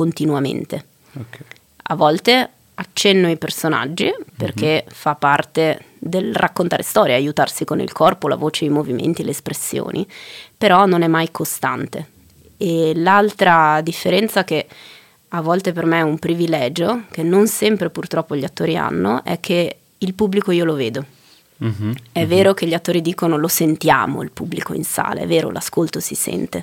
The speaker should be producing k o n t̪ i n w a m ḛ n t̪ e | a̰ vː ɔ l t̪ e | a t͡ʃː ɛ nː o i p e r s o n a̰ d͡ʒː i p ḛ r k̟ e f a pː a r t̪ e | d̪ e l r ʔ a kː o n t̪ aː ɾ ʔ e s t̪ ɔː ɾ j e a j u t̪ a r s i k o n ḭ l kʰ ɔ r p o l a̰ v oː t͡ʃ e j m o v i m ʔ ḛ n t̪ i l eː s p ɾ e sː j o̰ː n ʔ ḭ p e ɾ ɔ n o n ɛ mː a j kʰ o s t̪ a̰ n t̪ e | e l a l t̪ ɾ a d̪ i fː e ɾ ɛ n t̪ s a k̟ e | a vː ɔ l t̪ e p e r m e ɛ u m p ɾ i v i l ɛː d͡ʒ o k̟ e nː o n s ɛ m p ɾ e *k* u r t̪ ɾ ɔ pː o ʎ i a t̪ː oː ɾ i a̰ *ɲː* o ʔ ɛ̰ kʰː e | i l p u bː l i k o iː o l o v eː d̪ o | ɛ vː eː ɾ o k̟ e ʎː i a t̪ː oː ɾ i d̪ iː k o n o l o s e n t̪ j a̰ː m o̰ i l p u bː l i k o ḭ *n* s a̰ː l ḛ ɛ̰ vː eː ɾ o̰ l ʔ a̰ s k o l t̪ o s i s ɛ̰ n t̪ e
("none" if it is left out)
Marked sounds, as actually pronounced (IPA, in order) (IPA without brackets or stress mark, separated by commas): p, nː, n